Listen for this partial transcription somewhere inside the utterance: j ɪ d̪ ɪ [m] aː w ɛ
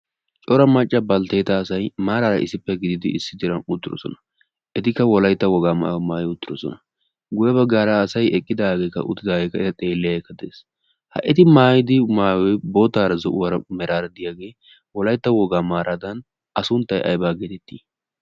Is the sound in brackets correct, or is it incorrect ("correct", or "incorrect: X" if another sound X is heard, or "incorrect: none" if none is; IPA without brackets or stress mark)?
correct